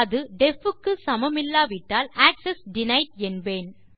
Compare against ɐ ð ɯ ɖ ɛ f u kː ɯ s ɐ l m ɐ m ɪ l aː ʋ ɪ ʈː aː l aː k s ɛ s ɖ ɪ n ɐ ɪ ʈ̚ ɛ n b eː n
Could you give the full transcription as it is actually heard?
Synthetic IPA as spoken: ɐ ð ɯ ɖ ɛ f ɯ kː ɯ s ɐ m ɐ m ɪ lː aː ʋ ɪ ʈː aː l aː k s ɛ s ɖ ɪ n ɐ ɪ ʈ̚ ɛ n b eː n